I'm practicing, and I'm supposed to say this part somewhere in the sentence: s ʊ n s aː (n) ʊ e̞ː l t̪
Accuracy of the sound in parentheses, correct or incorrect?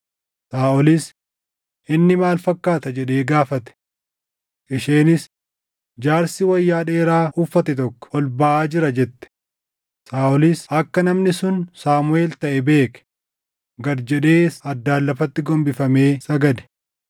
incorrect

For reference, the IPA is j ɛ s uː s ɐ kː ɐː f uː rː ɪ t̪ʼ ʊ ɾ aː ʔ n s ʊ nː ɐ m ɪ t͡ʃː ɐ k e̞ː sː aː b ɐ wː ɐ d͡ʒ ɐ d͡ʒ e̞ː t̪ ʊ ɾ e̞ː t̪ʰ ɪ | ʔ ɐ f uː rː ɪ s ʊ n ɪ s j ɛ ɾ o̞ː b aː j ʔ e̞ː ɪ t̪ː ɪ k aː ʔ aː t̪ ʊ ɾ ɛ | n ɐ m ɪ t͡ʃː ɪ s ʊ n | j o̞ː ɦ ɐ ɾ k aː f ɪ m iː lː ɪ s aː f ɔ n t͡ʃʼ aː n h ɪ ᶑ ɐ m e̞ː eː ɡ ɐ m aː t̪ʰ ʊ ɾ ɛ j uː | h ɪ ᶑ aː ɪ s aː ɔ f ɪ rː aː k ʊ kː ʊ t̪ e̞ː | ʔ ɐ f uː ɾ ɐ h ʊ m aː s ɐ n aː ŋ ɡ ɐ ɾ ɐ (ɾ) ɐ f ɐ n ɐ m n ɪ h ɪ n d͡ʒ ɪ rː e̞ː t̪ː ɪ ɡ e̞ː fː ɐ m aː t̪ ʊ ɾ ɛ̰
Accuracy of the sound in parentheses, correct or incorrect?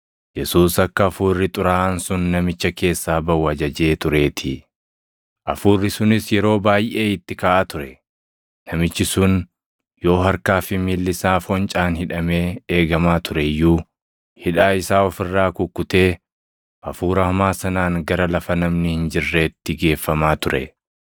incorrect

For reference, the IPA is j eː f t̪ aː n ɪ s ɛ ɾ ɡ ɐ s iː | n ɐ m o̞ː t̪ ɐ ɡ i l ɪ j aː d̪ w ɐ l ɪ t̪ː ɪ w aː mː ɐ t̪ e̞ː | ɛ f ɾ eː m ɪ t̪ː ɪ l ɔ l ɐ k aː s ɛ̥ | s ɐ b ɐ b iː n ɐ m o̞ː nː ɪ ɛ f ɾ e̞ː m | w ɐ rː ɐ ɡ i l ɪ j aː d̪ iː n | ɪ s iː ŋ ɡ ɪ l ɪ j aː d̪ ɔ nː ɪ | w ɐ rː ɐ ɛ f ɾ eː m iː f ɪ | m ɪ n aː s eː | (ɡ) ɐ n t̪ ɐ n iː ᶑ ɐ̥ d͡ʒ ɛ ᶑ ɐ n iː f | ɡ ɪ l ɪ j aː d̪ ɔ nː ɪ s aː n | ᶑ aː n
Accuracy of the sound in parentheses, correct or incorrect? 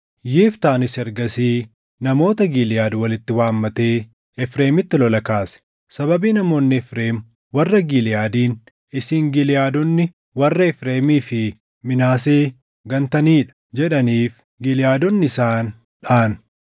correct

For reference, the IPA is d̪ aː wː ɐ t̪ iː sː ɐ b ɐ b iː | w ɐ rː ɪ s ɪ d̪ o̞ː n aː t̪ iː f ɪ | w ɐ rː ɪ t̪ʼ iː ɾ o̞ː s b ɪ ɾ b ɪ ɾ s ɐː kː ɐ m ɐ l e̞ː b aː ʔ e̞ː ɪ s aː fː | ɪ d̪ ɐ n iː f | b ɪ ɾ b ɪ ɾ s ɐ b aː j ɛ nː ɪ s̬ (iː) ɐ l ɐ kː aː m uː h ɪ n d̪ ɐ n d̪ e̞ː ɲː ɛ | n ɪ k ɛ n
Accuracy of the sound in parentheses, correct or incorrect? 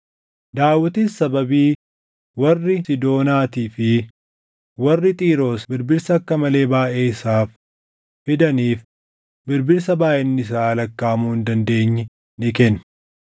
incorrect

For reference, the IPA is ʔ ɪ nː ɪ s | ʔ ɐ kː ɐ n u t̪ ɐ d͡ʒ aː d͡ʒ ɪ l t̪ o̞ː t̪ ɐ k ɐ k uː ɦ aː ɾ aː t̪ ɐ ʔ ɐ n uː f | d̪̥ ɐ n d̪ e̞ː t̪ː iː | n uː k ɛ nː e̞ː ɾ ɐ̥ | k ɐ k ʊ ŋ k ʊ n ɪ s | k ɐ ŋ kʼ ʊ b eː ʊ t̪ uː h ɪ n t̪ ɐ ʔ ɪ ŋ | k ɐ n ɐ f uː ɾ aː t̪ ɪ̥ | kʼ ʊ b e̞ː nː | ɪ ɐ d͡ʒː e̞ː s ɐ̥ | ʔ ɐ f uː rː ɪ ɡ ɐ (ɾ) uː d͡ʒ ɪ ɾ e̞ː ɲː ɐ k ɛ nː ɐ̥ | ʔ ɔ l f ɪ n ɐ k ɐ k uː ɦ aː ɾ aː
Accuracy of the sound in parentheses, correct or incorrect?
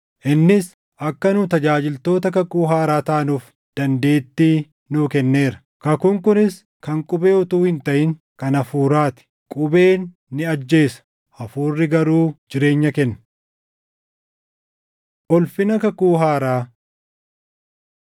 correct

